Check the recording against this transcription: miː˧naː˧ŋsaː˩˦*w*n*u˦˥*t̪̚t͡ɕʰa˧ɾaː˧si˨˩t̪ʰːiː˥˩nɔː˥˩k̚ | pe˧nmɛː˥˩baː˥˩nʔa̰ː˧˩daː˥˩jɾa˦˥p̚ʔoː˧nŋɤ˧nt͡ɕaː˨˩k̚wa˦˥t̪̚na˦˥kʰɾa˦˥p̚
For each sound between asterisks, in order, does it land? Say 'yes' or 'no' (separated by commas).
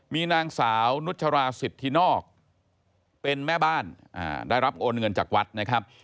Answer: yes, yes